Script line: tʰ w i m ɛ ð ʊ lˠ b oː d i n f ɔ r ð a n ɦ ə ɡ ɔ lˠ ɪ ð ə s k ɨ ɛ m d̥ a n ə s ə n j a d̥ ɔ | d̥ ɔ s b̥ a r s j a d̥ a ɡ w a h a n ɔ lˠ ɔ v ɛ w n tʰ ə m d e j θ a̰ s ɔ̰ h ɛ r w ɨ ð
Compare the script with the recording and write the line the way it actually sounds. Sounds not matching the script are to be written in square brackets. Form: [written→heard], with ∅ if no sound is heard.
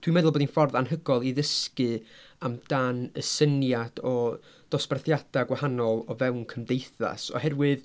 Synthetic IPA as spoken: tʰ w i m ɛ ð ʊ lˠ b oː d i n f ɔ r ð a n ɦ ə ɡ ɔ lˠ [ɪ→i] ð ə s k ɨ [ɛ→a] m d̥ a n ə s ə n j a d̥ ɔ | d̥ ɔ s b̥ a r [s→θ] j a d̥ a ɡ w a h a n ɔ lˠ ɔ v ɛ w n [tʰ→kʰ] ə m d e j θ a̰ s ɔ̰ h ɛ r w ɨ ð